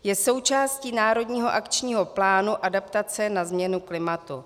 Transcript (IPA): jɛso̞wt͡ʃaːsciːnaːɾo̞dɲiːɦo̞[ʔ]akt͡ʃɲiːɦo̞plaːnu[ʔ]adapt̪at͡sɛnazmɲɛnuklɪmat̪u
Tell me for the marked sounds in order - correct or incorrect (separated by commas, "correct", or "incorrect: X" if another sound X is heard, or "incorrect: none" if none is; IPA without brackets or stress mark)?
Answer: correct, correct